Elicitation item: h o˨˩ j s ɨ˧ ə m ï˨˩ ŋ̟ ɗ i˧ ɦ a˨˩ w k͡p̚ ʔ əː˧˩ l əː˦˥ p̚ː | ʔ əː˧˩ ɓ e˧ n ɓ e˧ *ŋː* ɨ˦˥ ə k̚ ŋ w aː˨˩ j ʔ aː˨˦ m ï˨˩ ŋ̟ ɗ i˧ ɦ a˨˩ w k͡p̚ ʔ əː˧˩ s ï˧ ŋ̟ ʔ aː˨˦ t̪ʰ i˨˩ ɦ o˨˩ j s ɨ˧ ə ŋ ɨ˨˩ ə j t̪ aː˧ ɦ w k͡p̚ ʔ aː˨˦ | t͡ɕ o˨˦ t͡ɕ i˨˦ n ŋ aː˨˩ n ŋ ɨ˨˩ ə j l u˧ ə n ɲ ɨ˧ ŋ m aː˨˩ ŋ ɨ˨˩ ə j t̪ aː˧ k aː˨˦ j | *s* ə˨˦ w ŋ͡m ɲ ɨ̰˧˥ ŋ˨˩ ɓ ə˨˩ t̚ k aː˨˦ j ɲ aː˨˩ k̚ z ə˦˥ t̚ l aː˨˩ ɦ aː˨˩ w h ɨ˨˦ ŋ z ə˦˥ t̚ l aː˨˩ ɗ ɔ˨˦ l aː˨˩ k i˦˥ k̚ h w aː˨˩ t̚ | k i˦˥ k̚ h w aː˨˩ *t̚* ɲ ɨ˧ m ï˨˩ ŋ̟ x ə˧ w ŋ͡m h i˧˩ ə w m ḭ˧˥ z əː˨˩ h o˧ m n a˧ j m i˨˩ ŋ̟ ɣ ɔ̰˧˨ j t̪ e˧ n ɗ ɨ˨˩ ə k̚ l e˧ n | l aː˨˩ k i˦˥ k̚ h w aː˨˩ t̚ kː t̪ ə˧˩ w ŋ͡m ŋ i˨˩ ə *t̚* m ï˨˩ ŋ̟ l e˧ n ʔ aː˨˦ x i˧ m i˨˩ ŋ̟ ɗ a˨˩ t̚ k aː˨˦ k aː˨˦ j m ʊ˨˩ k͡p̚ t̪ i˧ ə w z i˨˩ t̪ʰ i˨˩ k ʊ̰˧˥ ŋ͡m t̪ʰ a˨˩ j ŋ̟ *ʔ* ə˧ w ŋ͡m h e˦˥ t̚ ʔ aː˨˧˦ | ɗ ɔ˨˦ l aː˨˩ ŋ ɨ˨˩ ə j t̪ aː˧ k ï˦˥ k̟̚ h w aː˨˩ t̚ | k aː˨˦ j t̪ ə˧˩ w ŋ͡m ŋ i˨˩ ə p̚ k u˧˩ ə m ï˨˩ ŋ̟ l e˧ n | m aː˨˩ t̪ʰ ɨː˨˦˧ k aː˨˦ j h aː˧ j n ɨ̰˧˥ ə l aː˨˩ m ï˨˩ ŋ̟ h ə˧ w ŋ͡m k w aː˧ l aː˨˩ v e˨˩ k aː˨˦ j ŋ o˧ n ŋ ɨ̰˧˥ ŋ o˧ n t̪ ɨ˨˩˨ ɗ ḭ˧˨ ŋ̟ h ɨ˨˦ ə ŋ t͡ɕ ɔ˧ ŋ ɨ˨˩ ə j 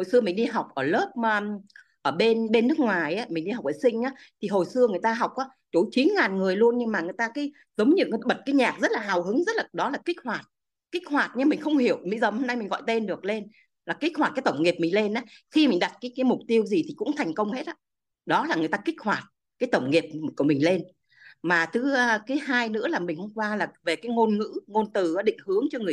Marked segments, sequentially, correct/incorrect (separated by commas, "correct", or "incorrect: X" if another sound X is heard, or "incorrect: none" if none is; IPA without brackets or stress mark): incorrect: nː, incorrect: z, correct, incorrect: p̚, incorrect: k